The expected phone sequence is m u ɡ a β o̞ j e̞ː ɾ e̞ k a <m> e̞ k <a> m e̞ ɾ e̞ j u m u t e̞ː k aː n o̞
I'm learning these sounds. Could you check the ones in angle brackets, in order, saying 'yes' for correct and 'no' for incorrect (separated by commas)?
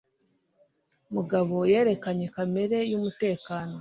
no, yes